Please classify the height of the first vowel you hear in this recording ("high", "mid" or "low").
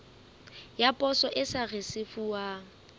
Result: low